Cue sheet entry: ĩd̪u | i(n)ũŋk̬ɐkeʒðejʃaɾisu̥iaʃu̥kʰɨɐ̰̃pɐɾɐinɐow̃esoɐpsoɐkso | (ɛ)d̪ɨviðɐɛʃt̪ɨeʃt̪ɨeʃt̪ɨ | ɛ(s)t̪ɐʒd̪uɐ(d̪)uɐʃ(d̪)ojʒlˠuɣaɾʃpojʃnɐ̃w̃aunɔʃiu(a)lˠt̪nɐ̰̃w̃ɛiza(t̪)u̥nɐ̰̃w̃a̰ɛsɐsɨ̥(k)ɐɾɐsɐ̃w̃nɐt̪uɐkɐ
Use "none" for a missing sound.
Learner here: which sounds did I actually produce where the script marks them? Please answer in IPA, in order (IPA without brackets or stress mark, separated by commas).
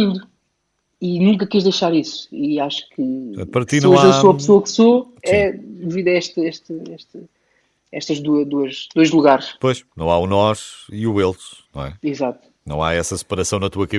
n, ɛ, ʃ, d̪, d̪, e, t̪, p